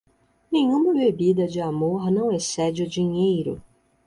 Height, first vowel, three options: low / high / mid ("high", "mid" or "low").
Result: mid